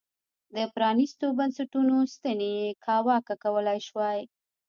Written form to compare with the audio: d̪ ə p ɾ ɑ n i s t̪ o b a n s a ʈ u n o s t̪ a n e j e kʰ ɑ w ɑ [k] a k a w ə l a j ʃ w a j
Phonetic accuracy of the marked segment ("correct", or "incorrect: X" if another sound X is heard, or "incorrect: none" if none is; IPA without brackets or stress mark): correct